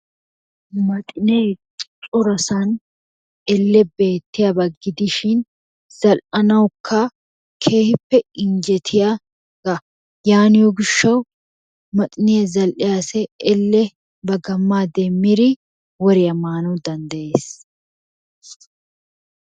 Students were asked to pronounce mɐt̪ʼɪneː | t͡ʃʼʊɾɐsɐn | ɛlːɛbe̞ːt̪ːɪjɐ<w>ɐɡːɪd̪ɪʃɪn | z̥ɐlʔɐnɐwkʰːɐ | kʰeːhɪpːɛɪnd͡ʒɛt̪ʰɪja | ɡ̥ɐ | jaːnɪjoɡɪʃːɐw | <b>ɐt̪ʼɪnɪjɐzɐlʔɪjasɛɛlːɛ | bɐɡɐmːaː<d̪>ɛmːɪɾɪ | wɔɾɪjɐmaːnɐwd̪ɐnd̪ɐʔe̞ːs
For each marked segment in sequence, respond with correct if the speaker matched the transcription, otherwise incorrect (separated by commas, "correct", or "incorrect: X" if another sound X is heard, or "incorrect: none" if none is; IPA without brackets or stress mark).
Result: incorrect: b, incorrect: m, correct